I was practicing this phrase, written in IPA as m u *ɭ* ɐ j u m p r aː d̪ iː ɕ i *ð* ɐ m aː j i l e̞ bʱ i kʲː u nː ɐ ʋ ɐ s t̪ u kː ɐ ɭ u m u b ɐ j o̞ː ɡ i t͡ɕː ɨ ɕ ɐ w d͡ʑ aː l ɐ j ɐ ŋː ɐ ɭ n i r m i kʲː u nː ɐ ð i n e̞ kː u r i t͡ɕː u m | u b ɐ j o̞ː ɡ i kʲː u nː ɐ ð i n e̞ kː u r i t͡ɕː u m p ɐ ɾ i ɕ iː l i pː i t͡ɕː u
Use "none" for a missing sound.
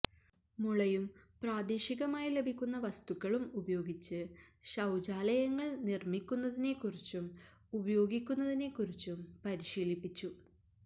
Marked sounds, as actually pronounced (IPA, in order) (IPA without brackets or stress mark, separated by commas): ɭ, ɣ